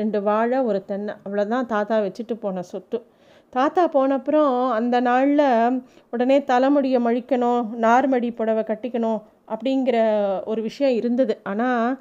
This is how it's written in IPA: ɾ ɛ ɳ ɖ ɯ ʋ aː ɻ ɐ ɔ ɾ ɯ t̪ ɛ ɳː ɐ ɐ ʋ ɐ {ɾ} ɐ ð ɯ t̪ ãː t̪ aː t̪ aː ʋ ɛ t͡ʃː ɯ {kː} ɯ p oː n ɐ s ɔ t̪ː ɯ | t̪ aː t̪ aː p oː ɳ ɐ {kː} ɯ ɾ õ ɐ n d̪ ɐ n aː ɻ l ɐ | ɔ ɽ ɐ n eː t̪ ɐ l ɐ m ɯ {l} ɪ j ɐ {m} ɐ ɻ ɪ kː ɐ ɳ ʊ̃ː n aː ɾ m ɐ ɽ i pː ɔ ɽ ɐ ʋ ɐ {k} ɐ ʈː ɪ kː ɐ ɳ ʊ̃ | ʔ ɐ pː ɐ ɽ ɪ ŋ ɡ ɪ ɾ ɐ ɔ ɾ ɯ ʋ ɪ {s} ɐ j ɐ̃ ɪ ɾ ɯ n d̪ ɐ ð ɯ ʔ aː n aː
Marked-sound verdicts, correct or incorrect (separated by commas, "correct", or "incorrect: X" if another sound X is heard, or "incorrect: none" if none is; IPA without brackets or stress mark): incorrect: ɭ, incorrect: ʈː, incorrect: pː, incorrect: ɽ, correct, correct, incorrect: ʂ